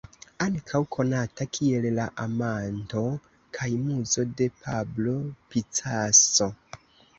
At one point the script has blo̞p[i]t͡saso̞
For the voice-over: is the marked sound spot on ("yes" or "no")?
yes